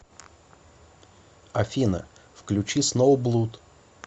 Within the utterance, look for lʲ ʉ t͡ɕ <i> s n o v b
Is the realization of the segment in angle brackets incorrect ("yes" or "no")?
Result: no